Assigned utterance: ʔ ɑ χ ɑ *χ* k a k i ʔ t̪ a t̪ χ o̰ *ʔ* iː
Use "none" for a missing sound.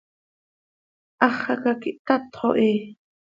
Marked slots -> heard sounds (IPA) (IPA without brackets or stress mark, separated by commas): none, ʔ